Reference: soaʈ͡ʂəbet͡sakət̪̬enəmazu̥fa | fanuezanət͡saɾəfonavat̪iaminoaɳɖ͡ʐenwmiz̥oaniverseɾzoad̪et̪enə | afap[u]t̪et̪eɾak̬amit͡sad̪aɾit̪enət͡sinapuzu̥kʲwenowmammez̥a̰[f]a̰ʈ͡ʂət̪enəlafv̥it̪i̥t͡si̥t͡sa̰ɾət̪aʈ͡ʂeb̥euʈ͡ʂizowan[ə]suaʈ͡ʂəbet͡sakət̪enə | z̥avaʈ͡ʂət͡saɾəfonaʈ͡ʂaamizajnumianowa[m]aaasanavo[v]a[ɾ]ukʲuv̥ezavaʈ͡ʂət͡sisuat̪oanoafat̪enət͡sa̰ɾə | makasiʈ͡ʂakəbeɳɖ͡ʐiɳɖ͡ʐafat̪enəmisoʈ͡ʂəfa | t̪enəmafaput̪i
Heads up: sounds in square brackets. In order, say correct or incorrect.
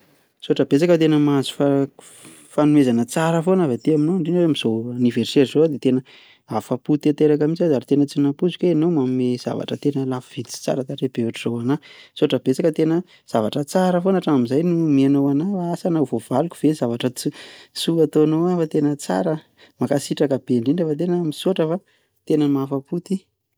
correct, incorrect, incorrect, incorrect, correct, incorrect

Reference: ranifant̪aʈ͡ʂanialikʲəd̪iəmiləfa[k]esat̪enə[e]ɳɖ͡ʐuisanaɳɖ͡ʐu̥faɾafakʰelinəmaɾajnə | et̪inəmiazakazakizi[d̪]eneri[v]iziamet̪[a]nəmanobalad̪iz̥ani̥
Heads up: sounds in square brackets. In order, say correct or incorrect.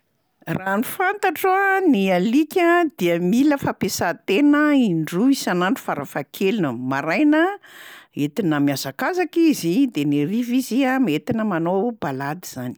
incorrect, incorrect, correct, correct, incorrect

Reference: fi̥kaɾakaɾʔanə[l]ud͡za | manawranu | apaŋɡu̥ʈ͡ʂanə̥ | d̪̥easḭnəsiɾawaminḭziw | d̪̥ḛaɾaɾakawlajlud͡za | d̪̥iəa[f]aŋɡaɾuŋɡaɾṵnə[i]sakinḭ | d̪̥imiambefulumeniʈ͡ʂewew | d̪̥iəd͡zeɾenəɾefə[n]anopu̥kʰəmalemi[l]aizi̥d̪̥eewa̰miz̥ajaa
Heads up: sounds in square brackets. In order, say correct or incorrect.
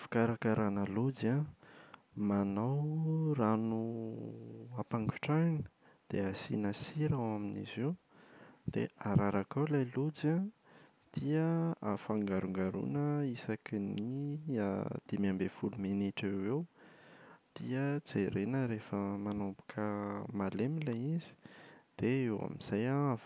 correct, correct, correct, incorrect, correct

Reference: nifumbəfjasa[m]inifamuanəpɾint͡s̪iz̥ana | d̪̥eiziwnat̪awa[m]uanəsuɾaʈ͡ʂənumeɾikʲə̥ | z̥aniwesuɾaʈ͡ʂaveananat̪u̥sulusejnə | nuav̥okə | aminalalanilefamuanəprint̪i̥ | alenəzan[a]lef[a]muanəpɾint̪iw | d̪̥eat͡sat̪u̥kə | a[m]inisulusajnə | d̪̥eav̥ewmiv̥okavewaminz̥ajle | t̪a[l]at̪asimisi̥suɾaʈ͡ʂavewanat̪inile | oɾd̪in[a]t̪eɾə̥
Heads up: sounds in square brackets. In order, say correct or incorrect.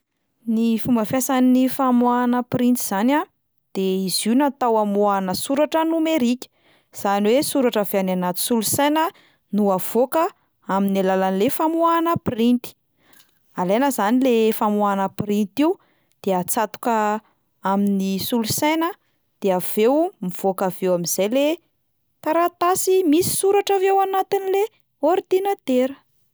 incorrect, correct, incorrect, correct, correct, incorrect, correct

